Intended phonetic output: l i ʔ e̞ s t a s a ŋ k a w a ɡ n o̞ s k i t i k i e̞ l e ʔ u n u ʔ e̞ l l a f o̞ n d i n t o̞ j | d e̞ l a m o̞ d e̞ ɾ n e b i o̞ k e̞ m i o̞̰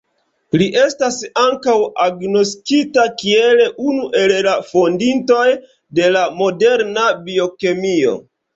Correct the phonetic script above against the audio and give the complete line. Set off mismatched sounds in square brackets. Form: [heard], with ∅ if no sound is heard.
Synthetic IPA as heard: l i ʔ e̞ s t a s a ŋ k a w a ɡ n o̞ s k i t [a] k i e̞ l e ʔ u n u ʔ e̞ l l a f o̞ n d i n t o̞ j | d e̞ l a m o̞ d e̞ ɾ n [a] b i o̞ k e̞ m i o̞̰